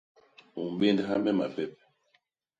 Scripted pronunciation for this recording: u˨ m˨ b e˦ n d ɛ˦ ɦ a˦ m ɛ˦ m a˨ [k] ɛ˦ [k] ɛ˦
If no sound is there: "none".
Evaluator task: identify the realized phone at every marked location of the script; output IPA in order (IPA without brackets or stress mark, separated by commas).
p, p